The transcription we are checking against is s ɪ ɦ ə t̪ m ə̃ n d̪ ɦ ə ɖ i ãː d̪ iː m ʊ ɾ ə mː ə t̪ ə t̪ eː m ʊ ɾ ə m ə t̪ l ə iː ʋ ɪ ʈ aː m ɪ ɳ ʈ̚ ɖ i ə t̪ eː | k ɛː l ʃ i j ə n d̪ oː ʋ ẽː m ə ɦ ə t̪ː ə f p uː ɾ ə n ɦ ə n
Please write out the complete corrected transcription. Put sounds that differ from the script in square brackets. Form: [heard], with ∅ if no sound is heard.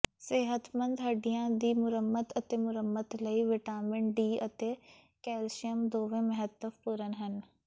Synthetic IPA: s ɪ ɦ ə t̪ m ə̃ n d̪ ɦ ə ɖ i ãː d̪ iː m ʊ ɾ ə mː ə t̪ ə t̪ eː m ʊ ɾ ə m ə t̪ l ə iː ʋ ɪ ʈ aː m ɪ ɳ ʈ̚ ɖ [iː] ə t̪ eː | k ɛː l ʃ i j ə [m] d̪ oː ʋ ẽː m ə ɦ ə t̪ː ə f p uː ɾ ə n ɦ ə n